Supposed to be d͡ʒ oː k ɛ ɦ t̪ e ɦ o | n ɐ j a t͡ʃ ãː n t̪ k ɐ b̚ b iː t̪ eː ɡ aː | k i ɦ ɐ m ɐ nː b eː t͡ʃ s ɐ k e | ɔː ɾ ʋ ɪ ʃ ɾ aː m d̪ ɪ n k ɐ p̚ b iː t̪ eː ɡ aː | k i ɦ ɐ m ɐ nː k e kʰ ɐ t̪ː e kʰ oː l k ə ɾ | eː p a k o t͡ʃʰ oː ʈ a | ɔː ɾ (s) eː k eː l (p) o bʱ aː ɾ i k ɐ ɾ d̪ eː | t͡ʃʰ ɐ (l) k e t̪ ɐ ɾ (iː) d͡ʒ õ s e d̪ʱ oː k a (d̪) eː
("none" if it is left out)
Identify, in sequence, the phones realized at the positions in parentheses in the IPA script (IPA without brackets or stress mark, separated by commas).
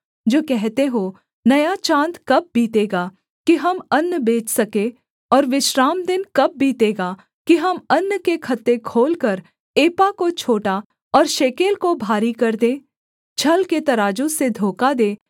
ʃ, k, l, aː, d̪